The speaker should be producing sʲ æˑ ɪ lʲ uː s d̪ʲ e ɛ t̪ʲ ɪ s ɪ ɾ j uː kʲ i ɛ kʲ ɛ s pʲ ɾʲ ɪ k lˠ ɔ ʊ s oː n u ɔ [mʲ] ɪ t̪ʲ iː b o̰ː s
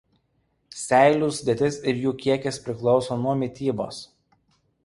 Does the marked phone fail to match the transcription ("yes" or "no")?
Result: no